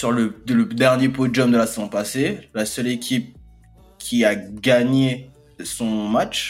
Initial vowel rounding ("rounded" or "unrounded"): rounded